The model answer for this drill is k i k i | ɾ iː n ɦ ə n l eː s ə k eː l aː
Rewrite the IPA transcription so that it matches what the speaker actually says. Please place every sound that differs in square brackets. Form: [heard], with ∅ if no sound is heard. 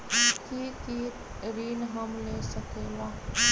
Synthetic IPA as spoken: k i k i | ɾ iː n ɦ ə [m] l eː s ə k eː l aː